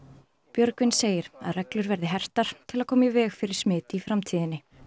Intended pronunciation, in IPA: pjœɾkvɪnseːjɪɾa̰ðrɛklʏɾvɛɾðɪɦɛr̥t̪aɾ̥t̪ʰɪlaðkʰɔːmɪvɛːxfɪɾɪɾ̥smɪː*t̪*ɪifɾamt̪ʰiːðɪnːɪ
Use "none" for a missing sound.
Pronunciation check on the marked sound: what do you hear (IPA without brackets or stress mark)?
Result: t̪